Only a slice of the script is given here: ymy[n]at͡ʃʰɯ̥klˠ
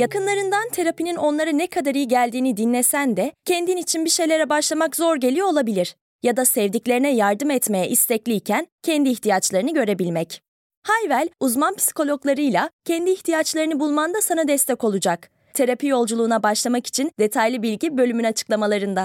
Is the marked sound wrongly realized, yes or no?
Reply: no